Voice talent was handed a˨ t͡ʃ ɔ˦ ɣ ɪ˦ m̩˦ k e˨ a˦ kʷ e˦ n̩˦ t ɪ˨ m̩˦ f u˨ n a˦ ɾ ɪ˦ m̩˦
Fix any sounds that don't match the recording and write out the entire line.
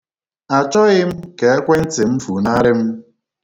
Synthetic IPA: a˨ t͡ʃ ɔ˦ ɣ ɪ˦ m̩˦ k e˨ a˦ kʷ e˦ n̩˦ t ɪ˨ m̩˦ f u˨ n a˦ ɾ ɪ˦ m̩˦